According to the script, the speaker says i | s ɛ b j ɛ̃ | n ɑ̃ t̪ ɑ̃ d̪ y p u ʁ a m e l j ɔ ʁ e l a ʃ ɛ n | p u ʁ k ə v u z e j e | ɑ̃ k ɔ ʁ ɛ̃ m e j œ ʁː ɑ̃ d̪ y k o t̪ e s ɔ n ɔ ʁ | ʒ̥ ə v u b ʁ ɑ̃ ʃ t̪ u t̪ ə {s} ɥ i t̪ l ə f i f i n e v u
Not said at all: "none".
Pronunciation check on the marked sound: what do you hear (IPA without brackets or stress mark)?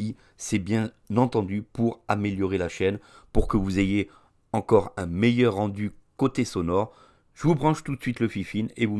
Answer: s